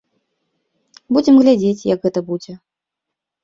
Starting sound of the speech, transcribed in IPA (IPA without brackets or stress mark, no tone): b